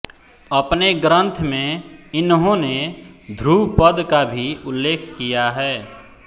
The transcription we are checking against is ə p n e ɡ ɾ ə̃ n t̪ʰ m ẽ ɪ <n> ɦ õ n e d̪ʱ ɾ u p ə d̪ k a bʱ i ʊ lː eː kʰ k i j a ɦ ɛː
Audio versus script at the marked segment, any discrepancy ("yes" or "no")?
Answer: no